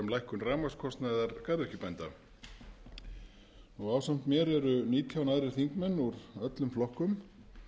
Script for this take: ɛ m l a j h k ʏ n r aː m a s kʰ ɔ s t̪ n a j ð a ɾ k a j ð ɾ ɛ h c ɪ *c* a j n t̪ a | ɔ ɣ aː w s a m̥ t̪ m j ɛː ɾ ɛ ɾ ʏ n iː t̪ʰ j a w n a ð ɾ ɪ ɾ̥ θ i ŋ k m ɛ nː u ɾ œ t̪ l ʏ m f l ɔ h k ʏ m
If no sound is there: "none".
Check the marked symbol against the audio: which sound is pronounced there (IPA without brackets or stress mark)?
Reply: p